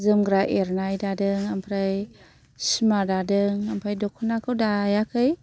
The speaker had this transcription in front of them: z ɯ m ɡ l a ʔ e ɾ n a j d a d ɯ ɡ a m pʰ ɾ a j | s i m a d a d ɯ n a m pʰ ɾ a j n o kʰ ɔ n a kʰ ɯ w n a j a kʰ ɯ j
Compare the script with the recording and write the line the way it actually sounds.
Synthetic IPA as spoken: z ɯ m ɡ ɾ a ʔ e ɾ n a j d a d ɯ ŋ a m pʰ ɾ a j | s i m a d a d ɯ ŋ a m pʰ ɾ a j d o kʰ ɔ n a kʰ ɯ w d a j a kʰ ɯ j